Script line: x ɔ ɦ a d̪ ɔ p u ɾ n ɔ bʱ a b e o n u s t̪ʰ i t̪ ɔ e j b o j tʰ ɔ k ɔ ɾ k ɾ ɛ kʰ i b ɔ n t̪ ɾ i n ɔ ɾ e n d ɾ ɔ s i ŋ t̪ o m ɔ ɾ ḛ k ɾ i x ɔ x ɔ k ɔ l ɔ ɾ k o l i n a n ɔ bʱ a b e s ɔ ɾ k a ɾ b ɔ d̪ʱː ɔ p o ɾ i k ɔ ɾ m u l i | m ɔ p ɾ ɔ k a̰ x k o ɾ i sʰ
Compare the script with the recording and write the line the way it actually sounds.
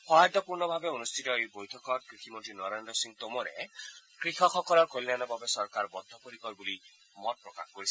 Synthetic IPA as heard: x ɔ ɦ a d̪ ɔ p u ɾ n ɔ bʱ a b e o n u s t̪ʰ i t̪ ɔ e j b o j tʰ ɔ k ɔ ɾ k ɾ i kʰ i m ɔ n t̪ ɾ i n ɔ ɾ e n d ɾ ɔ s i ŋ t̪ o m ɔ ɾ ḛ k ɾ i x ɔ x ɔ k ɔ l ɔ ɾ k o l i n a n ɔ bʱ a b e s ɔ ɾ k a ɾ b ɔ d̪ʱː ɔ p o ɾ i k ɔ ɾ b u l i | m ɔ p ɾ ɔ k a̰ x k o ɾ i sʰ